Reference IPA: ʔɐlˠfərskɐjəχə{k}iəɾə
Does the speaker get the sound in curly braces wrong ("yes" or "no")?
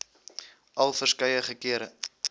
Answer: no